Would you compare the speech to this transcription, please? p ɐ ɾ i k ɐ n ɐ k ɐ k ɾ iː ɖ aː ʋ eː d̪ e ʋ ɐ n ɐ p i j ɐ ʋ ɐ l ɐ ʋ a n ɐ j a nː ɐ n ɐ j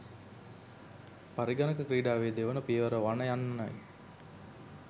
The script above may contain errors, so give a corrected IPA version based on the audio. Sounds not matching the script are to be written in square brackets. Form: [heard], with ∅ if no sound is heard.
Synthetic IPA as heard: p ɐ ɾ i [ɡ] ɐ n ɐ k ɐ k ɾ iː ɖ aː ʋ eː d̪ e ʋ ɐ n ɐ p i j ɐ ʋ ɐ [ɾ] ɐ ʋ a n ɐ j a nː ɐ n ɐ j